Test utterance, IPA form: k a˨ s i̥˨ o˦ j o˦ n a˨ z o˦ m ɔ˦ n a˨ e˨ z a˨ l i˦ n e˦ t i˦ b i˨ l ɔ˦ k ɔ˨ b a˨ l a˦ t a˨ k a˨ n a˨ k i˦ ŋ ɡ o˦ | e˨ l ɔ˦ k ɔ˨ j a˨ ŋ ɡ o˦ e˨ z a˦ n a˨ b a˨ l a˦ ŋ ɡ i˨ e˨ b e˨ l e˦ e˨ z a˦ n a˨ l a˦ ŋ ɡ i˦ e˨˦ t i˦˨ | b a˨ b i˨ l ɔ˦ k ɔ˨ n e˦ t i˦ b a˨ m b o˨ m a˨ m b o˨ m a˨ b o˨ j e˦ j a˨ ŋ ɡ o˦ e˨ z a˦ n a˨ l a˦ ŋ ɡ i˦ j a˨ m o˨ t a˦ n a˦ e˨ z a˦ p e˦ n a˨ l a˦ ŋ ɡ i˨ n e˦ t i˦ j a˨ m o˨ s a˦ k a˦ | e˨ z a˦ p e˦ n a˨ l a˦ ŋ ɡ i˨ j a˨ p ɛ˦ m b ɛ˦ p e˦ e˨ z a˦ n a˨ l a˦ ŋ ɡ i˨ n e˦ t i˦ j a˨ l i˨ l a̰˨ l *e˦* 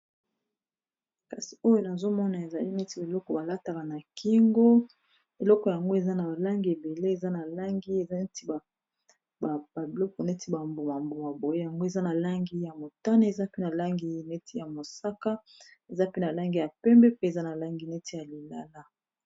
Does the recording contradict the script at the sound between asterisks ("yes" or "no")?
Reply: yes